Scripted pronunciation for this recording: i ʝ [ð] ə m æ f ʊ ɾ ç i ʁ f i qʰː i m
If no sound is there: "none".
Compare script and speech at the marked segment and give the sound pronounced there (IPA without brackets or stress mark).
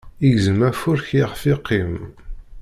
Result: z